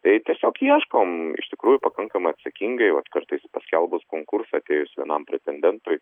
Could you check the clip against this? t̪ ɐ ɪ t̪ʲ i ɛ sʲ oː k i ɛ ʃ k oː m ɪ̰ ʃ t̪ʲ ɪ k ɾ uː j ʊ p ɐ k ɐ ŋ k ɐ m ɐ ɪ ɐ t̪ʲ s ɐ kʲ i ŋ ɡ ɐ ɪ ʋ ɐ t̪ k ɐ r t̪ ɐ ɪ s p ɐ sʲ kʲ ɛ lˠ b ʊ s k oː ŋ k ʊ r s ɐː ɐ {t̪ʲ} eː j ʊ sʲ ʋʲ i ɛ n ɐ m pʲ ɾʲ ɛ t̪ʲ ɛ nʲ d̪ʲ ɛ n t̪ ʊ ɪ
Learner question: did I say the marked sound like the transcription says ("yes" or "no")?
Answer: yes